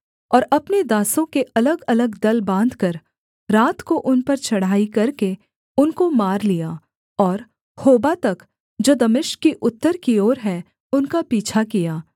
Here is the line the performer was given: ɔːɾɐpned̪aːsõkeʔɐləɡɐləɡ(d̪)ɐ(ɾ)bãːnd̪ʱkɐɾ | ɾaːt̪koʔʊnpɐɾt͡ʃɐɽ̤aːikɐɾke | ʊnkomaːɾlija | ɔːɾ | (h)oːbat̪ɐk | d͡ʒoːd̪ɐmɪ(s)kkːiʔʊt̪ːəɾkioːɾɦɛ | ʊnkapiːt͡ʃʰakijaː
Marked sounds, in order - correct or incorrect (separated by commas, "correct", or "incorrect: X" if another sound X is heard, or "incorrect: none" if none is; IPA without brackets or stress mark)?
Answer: correct, incorrect: l, correct, incorrect: ʃ